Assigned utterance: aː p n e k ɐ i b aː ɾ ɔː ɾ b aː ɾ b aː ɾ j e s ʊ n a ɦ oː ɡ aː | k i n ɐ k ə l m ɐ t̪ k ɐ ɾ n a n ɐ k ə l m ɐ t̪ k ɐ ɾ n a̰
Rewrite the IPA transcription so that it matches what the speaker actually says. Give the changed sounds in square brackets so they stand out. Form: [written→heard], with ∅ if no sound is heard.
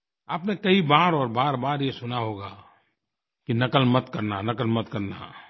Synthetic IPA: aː p n e k ɐ i b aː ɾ ɔː ɾ b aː ɾ b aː ɾ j e s ʊ n a ɦ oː ɡ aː | k i n ɐ k ə l m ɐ t̪ k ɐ ɾ n a n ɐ k ə l m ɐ t̪ k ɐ ɾ n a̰